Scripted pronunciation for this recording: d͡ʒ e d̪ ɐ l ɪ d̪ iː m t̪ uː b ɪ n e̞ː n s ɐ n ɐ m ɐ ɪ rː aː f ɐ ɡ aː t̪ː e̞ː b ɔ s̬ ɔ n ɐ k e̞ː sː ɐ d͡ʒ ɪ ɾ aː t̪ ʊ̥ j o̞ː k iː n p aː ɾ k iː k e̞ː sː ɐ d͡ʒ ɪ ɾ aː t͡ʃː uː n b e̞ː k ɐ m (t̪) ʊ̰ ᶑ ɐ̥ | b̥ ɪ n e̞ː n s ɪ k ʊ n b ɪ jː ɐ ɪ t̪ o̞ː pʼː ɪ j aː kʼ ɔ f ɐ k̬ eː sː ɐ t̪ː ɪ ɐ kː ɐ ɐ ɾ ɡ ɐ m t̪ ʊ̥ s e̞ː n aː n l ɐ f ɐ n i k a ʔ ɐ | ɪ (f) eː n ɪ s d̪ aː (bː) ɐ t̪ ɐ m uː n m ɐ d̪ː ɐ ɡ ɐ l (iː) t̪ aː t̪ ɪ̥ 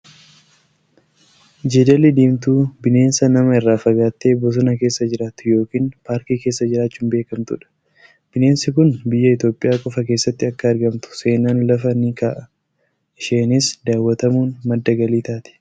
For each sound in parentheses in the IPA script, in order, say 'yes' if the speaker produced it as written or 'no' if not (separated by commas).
yes, no, no, yes